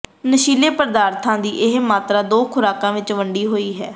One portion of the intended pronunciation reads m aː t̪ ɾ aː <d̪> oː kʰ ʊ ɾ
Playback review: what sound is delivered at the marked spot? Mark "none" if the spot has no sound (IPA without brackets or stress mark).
d̪